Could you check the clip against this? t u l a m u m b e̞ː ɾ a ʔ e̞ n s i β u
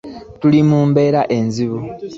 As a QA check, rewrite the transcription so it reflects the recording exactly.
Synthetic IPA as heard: t u l i m uː m b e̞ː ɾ a ʔ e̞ n z i β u